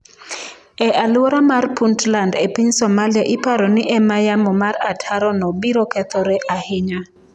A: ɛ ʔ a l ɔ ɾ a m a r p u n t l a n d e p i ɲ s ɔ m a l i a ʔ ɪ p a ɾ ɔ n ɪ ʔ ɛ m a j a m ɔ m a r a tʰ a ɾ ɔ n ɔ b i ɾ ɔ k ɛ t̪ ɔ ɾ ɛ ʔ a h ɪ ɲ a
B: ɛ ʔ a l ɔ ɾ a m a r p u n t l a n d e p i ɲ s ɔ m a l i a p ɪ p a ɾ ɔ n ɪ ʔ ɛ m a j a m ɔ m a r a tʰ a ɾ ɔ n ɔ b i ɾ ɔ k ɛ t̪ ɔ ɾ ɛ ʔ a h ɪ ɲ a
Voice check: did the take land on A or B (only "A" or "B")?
A